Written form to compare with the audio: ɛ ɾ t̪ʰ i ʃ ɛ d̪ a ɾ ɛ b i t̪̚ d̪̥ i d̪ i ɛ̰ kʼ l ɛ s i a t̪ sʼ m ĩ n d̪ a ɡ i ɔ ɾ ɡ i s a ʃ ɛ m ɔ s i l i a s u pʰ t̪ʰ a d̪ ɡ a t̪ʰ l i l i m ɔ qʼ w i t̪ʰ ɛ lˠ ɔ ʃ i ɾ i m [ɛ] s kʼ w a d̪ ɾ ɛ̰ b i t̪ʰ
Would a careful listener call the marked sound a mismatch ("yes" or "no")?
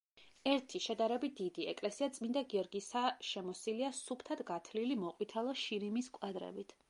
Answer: yes